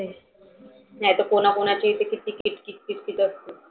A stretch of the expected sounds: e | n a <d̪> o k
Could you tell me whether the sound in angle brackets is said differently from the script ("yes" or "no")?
yes